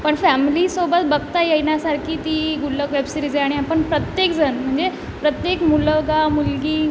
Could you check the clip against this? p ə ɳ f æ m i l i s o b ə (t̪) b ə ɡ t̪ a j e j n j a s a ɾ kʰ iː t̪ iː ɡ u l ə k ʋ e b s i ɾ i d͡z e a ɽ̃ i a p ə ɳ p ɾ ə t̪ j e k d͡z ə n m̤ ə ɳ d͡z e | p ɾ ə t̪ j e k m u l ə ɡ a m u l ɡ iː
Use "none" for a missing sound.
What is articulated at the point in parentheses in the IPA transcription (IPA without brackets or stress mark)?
t̪